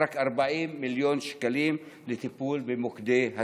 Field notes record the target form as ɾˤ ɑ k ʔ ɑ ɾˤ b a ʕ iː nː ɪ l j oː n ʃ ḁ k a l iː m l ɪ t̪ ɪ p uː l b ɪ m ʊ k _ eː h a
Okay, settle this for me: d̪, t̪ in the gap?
d̪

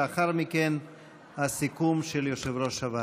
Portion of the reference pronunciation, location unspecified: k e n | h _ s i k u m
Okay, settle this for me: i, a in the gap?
a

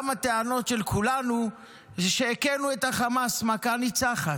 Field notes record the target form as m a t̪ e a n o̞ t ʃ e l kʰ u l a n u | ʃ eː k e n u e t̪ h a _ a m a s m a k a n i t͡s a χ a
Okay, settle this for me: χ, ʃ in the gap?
χ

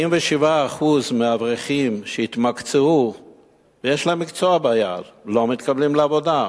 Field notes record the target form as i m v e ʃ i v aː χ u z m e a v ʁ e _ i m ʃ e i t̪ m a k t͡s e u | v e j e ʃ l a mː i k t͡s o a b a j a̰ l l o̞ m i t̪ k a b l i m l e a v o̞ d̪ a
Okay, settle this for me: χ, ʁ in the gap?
χ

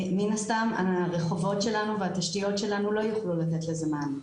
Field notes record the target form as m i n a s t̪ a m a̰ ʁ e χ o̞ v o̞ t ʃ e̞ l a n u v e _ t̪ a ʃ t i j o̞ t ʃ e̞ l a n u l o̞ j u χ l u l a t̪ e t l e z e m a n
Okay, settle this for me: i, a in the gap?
a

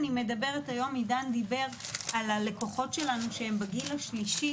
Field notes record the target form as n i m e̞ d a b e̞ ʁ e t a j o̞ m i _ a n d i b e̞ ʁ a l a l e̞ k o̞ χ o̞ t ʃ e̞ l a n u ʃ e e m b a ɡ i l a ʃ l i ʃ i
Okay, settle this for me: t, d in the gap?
d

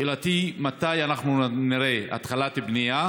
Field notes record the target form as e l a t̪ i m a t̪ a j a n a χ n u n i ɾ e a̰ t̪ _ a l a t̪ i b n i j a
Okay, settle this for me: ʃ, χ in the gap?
χ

